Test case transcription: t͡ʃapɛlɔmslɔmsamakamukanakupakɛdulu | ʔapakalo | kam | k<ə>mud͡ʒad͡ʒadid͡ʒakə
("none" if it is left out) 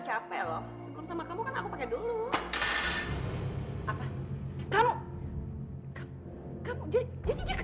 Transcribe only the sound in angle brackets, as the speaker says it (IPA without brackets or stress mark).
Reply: a